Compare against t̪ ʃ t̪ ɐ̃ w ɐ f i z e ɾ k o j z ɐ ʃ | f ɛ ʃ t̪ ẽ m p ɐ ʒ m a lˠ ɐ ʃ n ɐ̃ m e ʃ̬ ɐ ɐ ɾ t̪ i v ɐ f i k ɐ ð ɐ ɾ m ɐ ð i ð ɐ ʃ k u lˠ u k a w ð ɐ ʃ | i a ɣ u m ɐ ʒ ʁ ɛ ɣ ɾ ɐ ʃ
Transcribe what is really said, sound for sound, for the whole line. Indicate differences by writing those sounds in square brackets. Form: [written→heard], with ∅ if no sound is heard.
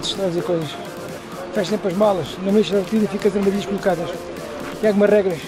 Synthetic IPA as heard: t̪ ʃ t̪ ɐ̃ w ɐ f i z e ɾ k o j z ɐ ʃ | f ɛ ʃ t̪ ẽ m p ɐ ʒ m a lˠ ɐ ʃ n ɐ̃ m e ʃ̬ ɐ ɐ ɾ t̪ i [v→ð] ɐ f i k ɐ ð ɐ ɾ m ɐ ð i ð ɐ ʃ k u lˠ u k a [w→∅] ð ɐ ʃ | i a ɣ u m ɐ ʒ ʁ ɛ ɣ ɾ ɐ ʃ